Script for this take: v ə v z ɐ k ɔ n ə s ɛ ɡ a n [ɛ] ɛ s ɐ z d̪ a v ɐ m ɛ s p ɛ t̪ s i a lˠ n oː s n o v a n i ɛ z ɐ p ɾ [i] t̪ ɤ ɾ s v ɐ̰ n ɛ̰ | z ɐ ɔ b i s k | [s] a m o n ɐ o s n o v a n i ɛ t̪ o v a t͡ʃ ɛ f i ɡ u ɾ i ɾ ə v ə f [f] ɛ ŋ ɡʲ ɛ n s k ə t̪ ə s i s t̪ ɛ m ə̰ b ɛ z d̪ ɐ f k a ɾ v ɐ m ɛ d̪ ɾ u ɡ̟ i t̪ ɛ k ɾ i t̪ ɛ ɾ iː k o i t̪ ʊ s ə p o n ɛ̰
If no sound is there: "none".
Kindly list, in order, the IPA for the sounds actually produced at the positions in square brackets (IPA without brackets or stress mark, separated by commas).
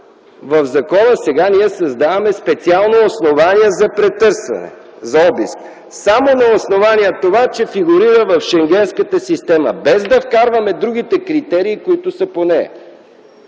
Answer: i, ɛ, s, ʃ